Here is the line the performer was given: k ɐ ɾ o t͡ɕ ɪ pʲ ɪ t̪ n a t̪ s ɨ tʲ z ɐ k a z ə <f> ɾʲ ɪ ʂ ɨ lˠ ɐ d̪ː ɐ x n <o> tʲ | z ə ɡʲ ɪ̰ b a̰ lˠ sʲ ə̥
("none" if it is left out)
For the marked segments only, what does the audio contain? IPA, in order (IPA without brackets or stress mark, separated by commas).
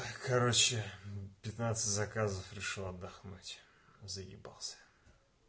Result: f, u